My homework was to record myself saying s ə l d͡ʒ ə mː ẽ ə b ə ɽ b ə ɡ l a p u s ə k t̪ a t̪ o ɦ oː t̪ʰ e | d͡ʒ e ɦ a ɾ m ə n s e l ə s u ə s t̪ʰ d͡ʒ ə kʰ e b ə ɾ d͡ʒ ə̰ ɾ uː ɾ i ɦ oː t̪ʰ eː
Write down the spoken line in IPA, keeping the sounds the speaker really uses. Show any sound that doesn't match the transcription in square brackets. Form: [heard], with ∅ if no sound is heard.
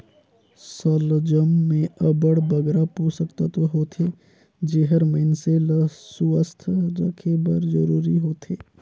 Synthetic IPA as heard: s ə l d͡ʒ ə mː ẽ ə b ə ɽ b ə ɡ [ɾ] a p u s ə k t̪ a t̪ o ɦ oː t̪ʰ e | d͡ʒ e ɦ [ə] ɾ m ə n s e l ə s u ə s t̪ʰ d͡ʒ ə kʰ e b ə ɾ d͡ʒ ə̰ ɾ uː ɾ i ɦ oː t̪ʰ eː